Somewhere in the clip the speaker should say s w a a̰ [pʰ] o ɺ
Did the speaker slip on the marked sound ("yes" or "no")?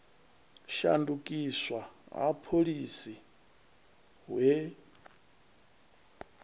no